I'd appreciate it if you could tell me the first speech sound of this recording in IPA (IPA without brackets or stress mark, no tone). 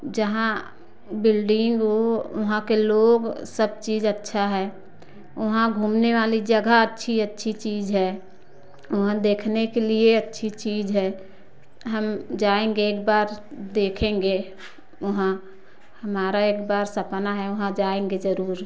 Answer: d͡ʒ